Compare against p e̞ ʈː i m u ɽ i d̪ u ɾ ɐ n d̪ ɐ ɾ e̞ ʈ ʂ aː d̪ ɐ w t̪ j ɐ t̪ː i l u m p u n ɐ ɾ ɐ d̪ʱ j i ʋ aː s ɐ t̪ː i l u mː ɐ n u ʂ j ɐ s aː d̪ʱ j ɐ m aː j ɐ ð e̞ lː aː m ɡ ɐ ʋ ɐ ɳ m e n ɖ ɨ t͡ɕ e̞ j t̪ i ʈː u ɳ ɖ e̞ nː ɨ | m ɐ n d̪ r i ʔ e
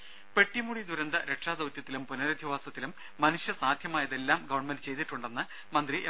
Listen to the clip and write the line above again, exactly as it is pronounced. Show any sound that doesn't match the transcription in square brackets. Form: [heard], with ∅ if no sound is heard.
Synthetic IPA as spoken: p e̞ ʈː i m u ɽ i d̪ u ɾ ɐ n d̪ ɐ ɾ e̞ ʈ ʂ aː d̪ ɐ w t̪ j ɐ t̪ː i l u m p u n ɐ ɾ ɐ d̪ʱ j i ʋ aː s ɐ t̪ː i l u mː ɐ n u ʂ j ɐ s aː d̪ʱ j ɐ m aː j ɐ ð e̞ lː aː m ɡ ɐ ʋ ɐ ɳ m e n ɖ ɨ t͡ɕ e̞ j t̪ i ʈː u ɳ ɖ e̞ nː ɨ | m ɐ n d̪ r i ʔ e